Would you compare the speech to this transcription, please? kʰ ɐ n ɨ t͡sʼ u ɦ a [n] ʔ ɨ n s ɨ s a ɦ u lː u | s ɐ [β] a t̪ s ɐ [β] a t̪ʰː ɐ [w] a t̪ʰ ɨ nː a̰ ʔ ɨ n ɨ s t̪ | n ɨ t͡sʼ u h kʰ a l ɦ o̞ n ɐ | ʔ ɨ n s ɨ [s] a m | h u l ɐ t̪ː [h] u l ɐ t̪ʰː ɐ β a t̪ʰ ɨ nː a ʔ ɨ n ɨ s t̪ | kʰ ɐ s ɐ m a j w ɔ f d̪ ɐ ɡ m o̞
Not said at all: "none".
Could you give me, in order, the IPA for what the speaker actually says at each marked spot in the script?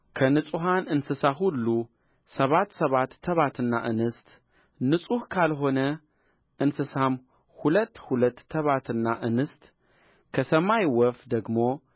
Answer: n, β, β, β, s, h

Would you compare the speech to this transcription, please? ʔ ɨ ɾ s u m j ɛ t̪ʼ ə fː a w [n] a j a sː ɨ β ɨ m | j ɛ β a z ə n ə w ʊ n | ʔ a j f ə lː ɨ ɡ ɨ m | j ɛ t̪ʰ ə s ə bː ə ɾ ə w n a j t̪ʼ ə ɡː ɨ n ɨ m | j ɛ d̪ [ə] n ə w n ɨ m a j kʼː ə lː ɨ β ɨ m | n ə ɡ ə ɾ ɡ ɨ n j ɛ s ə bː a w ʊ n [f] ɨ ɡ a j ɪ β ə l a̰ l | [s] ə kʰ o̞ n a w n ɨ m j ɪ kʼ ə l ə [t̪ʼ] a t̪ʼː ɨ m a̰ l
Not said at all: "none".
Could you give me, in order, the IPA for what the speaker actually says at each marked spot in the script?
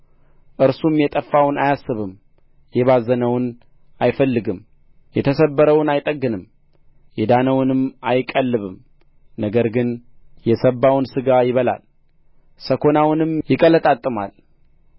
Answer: n, a, s, s, t̪ʼ

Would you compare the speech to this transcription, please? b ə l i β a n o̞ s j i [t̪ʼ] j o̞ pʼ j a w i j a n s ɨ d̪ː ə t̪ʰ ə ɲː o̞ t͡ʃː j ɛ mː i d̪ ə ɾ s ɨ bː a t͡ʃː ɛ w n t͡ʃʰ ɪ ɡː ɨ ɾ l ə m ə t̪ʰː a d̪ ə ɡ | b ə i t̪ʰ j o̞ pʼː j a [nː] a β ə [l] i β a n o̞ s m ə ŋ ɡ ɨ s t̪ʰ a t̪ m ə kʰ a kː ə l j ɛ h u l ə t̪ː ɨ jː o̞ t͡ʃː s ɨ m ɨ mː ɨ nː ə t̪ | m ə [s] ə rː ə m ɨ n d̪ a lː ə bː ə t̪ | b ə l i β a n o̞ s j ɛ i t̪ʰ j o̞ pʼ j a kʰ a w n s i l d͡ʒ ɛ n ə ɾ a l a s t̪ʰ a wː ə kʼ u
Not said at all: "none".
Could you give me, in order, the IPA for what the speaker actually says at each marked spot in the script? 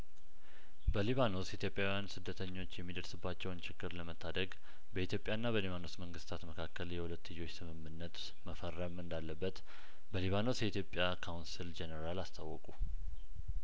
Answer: t̪, nː, l, f

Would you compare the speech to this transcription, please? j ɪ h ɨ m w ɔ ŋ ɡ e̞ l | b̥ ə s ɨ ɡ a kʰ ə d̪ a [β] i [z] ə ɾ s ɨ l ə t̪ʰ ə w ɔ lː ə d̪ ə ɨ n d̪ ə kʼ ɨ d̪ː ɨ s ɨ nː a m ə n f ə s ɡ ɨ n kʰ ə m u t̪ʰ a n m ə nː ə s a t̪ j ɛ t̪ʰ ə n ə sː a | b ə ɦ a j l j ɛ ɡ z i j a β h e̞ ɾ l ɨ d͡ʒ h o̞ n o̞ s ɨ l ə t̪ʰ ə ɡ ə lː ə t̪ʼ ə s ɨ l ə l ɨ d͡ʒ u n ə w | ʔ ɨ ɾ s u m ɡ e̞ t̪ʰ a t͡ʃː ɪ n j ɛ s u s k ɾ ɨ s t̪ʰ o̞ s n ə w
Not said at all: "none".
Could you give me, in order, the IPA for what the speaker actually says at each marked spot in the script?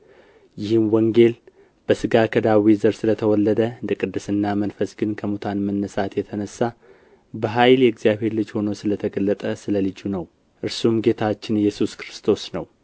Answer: w, z

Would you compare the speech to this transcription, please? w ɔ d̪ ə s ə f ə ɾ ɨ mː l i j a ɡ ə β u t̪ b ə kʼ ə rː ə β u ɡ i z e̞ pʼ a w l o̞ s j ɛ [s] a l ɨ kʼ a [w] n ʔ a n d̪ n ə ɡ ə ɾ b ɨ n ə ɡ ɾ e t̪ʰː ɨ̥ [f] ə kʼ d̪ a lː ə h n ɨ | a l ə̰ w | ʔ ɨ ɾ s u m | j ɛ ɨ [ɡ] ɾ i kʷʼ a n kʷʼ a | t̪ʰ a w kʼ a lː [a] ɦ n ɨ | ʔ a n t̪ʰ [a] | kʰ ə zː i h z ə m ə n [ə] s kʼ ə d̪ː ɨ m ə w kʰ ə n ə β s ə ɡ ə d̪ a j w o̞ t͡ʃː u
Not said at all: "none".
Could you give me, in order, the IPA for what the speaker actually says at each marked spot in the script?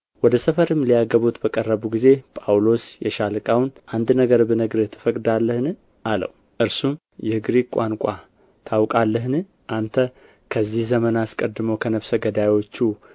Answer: ʃ, w, f, ɡ, ə, ə, a

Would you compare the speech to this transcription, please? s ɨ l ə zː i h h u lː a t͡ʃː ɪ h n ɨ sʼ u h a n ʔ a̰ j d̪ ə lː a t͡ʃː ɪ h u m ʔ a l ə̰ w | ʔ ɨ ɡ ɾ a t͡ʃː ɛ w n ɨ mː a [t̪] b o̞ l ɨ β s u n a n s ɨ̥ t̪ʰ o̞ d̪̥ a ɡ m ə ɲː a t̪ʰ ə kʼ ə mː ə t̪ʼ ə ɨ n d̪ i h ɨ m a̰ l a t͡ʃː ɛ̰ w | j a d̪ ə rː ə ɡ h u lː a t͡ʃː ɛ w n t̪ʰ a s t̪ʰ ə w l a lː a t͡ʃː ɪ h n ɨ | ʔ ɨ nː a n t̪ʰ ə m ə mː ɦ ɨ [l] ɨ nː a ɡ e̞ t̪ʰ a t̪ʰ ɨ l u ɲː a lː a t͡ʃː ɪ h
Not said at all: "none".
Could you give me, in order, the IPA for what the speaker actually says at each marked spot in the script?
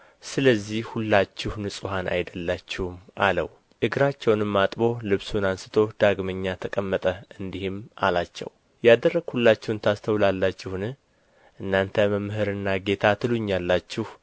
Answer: t̪ʼ, ɾ

